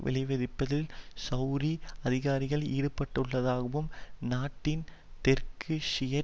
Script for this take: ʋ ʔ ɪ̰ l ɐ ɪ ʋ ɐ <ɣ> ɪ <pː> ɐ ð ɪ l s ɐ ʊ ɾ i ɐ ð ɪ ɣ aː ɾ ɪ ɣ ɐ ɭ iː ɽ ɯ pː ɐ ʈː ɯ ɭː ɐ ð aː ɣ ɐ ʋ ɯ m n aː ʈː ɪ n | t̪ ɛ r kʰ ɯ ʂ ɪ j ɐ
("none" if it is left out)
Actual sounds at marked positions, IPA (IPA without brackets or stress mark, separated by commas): ð, pː